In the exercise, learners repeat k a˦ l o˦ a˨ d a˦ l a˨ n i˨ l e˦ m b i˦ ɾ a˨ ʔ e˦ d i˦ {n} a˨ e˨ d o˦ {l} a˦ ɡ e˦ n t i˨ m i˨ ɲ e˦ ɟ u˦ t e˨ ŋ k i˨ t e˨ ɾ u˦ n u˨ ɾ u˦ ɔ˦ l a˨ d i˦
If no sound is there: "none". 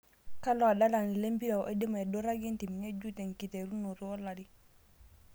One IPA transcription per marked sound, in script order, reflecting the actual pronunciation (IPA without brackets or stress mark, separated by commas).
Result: m, ɾ